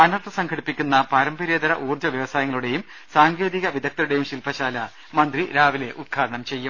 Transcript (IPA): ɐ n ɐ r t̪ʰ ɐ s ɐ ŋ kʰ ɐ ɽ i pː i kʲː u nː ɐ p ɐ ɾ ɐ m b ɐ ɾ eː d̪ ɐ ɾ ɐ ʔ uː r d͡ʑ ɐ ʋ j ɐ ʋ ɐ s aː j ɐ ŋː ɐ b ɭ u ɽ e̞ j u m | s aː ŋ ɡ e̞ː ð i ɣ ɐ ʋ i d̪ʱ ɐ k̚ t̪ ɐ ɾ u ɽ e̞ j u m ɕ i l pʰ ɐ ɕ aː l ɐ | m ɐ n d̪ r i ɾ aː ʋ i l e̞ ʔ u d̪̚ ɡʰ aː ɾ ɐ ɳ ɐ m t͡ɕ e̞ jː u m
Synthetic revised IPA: ɐ n ɐ r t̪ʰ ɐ s ɐ ŋ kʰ ɐ ɽ i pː i kʲː u nː ɐ p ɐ ɾ ɐ m b ɐ ɾ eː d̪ ɐ ɾ ɐ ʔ uː r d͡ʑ ɐ ʋ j ɐ ʋ ɐ s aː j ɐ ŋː ɐ ɭ u ɽ e̞ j u m | s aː ŋ ɡ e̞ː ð i ɣ ɐ ʋ i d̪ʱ ɐ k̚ t̪ ɐ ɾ u ɽ e̞ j u m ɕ i l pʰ ɐ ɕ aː l ɐ | m ɐ n d̪ r i ɾ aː ʋ i l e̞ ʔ u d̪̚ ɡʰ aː ɾ ɐ ɳ ɐ m t͡ɕ e̞ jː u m